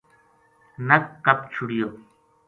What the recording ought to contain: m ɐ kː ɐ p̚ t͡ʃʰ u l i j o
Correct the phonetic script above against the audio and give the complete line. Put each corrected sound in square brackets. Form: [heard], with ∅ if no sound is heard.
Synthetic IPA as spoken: [n] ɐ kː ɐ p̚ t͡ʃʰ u [ɽ] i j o